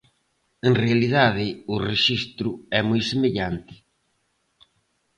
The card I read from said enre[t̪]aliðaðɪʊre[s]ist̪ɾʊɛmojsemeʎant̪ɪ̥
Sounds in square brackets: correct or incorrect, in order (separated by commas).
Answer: incorrect, incorrect